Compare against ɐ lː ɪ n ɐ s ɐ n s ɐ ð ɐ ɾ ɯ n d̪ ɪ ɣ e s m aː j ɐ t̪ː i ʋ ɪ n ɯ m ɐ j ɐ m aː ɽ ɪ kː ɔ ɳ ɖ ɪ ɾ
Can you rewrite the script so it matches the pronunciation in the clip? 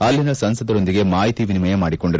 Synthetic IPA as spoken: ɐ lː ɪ n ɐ s ɐ n s ɐ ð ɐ ɾ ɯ n d̪ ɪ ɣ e m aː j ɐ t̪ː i ʋ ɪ n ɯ m ɐ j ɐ m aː ɽ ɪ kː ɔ ɳ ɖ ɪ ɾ

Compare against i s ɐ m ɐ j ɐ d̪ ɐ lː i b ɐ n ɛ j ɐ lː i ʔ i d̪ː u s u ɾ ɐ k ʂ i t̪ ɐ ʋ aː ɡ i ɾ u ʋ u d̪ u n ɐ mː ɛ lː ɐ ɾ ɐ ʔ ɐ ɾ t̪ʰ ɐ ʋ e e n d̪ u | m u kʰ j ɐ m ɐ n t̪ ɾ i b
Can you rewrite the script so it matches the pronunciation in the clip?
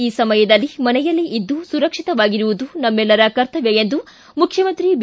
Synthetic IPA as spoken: iː s ɐ m ɐ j ɐ d̪ ɐ lː i m ɐ n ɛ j ɐ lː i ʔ i d̪ː u s u ɾ ɐ k ʂ i t̪ ɐ ʋ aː ɡ i ɾ u ʋ u d̪ u n ɐ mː ɛ lː ɐ ɾ ɐ k ɐ ɾ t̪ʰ ɐ ʋ e e n d̪ u | m u kʰ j ɐ m ɐ n t̪ ɾ i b

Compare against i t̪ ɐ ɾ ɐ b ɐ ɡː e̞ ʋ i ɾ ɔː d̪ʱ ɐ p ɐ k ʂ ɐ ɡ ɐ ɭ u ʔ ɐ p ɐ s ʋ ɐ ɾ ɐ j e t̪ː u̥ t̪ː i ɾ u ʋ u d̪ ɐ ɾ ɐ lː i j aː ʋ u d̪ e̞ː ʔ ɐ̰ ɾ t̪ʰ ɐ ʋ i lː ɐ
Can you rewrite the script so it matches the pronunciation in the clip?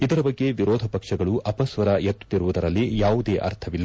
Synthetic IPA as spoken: i d̪ ɐ ɾ ɐ b ɐ ɡː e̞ ʋ i ɾ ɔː d̪ʱ ɐ p ɐ k ʂ ɐ ɡ ɐ ɭ u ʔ ɐ p ɐ s ʋ ɐ ɾ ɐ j e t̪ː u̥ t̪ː i ɾ u ʋ u d̪ ɐ ɾ ɐ lː i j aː ʋ u d̪ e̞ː ʔ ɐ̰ ɾ t̪ʰ ɐ ʋ i lː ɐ

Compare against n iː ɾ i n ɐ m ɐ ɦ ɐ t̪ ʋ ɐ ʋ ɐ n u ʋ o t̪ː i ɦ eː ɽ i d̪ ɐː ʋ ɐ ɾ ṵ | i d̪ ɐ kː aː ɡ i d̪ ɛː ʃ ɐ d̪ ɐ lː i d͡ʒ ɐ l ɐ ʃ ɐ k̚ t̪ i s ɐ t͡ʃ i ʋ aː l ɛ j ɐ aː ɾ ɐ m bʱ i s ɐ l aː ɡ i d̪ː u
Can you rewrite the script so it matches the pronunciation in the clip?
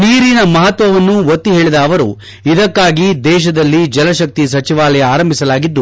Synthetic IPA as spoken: n iː ɾ i n ɐ m ɐ ɦ ɐ t̪ ʋ ɐ ʋ ɐ nː u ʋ o t̪ː i ɦ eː ɭ i d̪ ɐː ʋ ɐ ɾ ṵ | i d̪ ɐ kː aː ɡ i d̪ ɛː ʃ ɐ d̪ ɐ lː i d͡ʒ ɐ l ɐ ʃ ɐ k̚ t̪ i s ɐ t͡ʃ i ʋ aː l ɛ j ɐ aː ɾ ɐ m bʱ i s ɐ l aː ɡ i d̪ː u

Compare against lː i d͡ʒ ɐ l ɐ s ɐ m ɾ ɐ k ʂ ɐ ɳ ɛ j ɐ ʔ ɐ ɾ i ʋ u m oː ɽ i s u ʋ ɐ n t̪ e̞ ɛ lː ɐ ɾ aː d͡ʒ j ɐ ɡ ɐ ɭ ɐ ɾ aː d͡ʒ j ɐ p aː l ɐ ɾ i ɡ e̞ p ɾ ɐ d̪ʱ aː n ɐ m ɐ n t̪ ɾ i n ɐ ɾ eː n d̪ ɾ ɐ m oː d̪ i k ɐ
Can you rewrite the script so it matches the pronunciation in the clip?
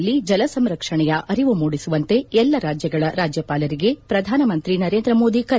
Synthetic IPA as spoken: lː i d͡ʒ ɐ l ɐ s ɐ m ɾ ɐ k ʂ ɐ ɳ ɛ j ɐ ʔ ɐ ɾ i ʋ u m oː ɽ i s u ʋ ɐ n t̪ e̞ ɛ lː ɐ ɾ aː d͡ʒ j ɐ ɡ ɐ ɭ ɐ ɾ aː d͡ʒ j ɐ p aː l ɐ ɾ i ɡ e̞ p ɾ ɐ d̪ʱ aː n ɐ m ɐ n t̪ ɾ i n ɐ ɾ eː n d̪ ɾ ɐ m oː d̪ i k ɐ

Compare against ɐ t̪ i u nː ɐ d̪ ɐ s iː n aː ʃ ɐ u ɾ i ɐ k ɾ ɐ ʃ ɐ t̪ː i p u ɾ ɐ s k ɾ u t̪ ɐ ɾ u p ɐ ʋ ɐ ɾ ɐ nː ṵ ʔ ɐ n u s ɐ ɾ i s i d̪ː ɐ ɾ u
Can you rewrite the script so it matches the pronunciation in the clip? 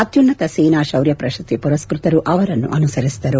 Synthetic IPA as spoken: ɐ t̪ j u nː ɐ t̪ ɐ s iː n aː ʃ ɐ w ɾ j ɐ p ɾ ɐ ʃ ɐ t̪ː i p u ɾ ɐ s k ɾ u t̪ ɐ ɾ u ʔ ɐ ʋ ɐ ɾ ɐ nː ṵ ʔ ɐ n u s ɐ ɾ i s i d̪ ɐ ɾ u

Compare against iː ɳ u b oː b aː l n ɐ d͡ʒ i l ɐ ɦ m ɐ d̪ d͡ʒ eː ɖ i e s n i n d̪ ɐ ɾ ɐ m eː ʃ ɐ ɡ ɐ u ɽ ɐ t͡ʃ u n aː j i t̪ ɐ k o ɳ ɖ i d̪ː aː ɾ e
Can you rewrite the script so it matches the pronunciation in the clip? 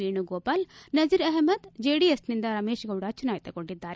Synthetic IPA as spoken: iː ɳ u ɡ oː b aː l n ɐ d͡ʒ i ɾ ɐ ɦ m ɐ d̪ d͡ʒ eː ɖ i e s n i n d̪ ɐ ɾ ɐ m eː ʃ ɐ ɡ ɐ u ɽ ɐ t͡ʃ u n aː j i t̪ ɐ k o ɳ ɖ i d̪ː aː ɾ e

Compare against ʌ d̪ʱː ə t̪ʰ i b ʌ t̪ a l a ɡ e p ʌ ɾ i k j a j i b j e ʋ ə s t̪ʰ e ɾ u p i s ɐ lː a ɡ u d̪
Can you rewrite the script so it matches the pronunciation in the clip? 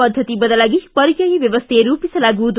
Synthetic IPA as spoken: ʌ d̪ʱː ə t̪ i b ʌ d̪ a l a ɡ i p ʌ ɾ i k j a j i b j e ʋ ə s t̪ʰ e ɾ u p i s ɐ l a ɡ u d̪

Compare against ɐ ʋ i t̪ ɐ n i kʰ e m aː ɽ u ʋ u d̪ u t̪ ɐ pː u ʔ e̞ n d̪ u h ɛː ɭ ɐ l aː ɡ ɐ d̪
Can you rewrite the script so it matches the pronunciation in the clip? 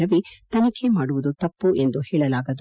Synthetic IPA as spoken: ɐ ʋ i t̪ ɐ n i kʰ e m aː ɽ u ʋ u d̪ u t̪ ɐ pː u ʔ e̞ n d̪ u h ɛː ɭ ɐ l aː ɡ ɐ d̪

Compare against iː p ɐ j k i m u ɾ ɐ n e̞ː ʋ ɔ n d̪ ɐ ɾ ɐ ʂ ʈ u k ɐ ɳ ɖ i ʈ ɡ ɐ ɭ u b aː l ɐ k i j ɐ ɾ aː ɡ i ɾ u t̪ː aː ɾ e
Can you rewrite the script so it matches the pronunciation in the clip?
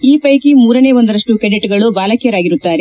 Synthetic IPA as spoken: iː p ɐ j k i m uː ɾ ɐ n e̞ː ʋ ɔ n d̪ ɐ ɾ ɐ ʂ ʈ u k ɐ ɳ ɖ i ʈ ɡ ɐ ɭ u b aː l ɐ k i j ɐ ɾ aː ɡ i ɾ u t̪ː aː ɾ e

